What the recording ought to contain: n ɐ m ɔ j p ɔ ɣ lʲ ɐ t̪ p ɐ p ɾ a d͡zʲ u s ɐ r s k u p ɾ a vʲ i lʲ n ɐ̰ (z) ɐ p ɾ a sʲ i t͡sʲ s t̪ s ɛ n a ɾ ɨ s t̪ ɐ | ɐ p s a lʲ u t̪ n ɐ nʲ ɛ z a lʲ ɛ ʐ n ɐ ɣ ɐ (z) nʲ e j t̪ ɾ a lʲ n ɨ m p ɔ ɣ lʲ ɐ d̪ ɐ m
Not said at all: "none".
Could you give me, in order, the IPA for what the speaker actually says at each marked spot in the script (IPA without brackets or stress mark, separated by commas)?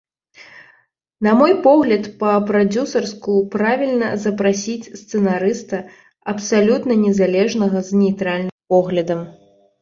z, z